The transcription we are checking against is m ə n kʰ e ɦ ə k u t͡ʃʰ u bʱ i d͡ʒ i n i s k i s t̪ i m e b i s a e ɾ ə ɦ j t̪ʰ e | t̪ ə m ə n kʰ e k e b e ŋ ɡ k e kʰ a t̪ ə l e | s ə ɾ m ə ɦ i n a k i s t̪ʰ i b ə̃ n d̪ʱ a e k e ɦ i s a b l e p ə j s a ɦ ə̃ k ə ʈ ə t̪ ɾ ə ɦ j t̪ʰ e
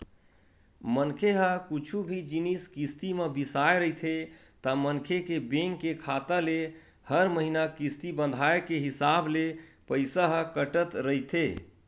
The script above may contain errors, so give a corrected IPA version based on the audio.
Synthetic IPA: m ə n kʰ e ɦ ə k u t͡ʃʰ u bʱ i d͡ʒ i n i s k i s t̪ i m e b i s a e ɾ ə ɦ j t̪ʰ e | t̪ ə m ə n kʰ e k e b e ŋ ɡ k e kʰ a t̪ ə l e | h ə ɾ m ə ɦ i n a k i s t̪ i b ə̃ n d̪ʱ a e k e ɦ i s a b l e p ə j s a ɦ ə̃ k ə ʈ ə t̪ ɾ ə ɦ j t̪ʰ e